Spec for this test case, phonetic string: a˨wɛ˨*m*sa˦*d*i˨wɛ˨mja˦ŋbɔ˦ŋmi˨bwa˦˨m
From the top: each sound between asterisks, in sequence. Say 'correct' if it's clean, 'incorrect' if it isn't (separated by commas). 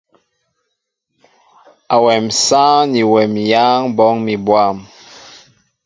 correct, incorrect